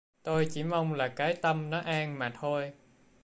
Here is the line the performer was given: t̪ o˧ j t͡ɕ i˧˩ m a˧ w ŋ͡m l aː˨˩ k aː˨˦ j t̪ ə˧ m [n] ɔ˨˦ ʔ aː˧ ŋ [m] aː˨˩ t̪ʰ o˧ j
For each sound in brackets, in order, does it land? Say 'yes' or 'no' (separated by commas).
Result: yes, yes